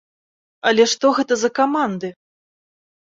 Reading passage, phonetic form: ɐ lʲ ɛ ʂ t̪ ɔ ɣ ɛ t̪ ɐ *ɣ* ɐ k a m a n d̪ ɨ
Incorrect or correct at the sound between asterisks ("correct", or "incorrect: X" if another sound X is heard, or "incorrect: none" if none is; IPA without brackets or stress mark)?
incorrect: z